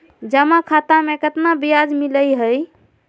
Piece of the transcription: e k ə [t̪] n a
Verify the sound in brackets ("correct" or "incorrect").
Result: correct